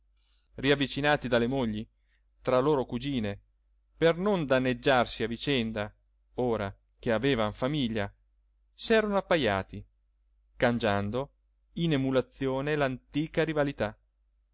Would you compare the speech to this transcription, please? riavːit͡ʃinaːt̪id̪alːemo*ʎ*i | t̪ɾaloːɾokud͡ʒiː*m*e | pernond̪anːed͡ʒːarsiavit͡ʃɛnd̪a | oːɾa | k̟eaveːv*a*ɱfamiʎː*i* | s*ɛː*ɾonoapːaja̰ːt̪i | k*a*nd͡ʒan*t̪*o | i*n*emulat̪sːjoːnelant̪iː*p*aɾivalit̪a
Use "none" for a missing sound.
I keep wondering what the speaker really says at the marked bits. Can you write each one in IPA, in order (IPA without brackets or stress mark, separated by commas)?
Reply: ʎː, n, a, a, ɛː, a, d̪, n, k